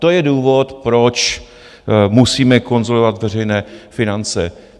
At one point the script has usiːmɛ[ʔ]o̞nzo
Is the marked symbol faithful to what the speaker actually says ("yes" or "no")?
no